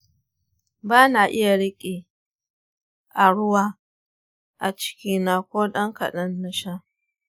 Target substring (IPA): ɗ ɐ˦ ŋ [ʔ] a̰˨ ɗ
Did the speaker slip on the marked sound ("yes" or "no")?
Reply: yes